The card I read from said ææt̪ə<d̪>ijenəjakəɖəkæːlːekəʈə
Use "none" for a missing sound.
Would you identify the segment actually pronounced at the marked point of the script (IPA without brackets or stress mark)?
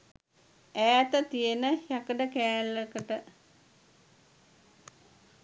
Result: t̪